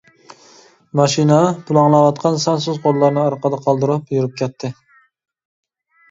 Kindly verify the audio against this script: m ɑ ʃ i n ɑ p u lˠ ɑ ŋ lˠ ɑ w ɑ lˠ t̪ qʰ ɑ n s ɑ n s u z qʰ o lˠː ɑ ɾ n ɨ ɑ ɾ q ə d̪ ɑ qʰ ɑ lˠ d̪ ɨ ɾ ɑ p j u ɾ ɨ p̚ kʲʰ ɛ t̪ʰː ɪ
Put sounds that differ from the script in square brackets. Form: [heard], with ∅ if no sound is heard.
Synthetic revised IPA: m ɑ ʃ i n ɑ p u lˠ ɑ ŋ lˠ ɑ w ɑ [∅] t̪ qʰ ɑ n s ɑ n s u z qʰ o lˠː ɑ ɾ n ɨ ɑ ɾ q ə d̪ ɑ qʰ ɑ lˠ d̪ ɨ ɾ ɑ p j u ɾ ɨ p̚ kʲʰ ɛ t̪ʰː ɪ